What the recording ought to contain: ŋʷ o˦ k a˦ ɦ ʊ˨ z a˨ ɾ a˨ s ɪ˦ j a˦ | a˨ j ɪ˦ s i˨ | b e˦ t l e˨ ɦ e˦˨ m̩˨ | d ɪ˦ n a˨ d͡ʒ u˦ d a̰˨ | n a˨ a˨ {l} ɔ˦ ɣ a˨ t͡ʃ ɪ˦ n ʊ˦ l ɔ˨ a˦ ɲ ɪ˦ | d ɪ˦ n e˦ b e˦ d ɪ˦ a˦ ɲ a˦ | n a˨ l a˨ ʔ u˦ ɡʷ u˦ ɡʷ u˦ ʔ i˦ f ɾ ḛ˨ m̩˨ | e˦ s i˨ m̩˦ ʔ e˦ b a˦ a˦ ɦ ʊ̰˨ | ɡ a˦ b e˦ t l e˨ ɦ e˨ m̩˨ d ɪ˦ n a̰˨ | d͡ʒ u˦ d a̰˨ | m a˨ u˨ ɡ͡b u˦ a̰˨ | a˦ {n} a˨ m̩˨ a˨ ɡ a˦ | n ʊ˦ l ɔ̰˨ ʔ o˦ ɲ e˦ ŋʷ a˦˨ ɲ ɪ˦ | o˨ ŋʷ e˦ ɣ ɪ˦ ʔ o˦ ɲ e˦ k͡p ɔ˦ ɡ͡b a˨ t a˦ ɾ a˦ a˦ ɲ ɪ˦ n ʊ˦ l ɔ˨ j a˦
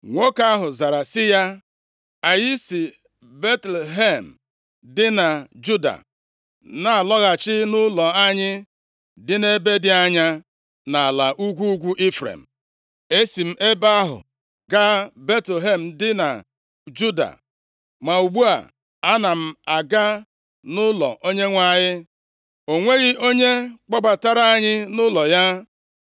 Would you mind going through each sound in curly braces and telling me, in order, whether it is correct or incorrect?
correct, correct

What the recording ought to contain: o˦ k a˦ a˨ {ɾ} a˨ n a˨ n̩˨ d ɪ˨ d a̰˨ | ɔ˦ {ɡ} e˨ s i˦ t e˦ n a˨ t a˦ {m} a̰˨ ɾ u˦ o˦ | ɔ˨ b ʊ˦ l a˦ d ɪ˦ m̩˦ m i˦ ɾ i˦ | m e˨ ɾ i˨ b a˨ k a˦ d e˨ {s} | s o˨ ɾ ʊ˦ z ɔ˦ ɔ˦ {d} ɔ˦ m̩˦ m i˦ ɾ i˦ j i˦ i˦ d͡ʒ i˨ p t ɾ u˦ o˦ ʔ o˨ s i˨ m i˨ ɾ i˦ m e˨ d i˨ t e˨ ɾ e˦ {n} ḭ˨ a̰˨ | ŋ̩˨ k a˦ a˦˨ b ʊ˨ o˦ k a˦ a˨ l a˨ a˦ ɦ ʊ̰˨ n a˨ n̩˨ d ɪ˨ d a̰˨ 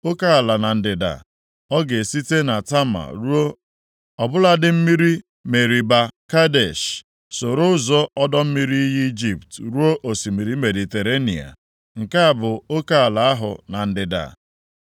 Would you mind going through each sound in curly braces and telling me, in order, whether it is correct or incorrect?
incorrect: l, correct, correct, incorrect: ʃ, correct, correct

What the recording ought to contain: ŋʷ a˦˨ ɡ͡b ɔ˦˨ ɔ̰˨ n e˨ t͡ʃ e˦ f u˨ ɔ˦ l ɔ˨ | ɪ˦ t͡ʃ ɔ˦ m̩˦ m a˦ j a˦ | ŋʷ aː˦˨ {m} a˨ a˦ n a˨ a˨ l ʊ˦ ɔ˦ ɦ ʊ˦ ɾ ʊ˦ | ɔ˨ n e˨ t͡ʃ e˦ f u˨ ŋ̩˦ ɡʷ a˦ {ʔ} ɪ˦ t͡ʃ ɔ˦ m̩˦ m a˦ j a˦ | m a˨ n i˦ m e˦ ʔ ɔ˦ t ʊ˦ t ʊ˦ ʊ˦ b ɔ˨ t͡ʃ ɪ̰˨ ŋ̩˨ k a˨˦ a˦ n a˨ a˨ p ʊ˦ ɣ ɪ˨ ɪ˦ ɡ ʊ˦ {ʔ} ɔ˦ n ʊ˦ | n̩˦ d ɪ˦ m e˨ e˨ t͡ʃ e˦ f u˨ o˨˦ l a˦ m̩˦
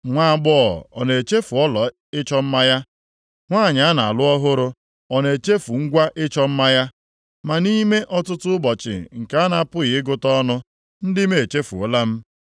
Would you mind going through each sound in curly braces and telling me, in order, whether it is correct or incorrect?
incorrect: ɲ, correct, incorrect: t

